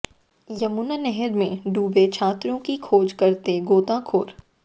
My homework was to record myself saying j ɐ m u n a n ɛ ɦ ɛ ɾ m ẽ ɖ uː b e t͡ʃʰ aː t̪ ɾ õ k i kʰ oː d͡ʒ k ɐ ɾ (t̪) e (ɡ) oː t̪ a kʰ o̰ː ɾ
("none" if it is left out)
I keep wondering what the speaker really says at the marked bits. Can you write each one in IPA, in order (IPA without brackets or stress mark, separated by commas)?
t̪, ɡ